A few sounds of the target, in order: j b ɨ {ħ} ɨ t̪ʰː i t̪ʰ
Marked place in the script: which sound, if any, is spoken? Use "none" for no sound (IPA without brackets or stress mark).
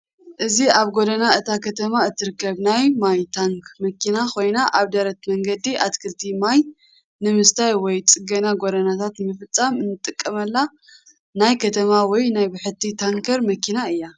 ħ